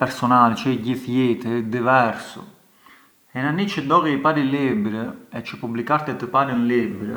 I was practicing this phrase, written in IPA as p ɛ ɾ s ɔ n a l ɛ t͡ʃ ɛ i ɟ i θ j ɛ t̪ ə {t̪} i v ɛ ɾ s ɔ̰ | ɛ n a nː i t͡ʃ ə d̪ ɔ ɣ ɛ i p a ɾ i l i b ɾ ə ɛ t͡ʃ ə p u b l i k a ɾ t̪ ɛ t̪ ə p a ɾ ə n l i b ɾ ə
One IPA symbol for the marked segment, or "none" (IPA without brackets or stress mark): d̪